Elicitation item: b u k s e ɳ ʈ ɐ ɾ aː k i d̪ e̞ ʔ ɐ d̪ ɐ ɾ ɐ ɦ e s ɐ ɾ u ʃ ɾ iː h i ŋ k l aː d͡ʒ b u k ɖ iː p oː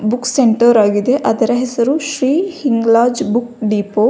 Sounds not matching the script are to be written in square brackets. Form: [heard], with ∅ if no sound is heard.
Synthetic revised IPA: b u k s e ɳ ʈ ɐ ɾ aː [ɡ] i d̪ e̞ ʔ ɐ d̪ ɐ ɾ ɐ ɦ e s ɐ ɾ u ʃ ɾ iː h i ŋ [ɡ] l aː d͡ʒ b u k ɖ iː p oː